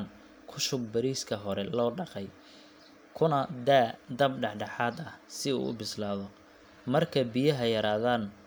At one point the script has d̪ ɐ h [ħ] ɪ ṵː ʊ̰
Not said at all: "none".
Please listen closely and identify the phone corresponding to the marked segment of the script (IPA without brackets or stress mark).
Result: s